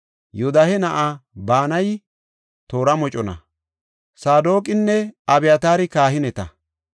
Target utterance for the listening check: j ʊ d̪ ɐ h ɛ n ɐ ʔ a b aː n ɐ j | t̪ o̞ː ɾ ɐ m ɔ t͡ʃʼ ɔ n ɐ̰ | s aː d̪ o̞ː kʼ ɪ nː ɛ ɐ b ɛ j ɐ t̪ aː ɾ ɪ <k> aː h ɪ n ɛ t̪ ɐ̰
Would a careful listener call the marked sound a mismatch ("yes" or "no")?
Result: no